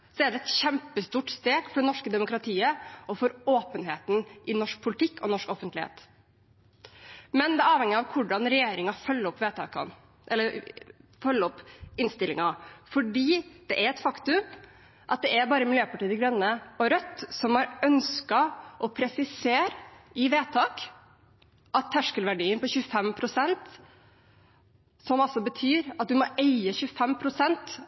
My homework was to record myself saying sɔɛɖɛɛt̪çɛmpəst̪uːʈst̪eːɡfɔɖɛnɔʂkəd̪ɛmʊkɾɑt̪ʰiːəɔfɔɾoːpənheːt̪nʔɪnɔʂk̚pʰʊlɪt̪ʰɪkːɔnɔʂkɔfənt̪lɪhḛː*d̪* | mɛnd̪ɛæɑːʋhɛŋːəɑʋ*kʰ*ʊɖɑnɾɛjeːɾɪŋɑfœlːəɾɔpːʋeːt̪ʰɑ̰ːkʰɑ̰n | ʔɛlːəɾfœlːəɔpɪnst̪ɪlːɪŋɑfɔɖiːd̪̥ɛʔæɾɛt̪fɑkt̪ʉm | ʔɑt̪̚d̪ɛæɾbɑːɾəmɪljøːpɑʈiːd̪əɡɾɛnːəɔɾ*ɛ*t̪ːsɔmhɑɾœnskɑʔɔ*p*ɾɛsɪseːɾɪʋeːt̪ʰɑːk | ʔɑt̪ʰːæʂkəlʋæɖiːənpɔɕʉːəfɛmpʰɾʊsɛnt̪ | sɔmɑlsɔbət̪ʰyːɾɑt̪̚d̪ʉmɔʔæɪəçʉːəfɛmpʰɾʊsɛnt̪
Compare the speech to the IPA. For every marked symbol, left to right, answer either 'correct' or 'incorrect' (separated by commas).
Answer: incorrect, correct, incorrect, incorrect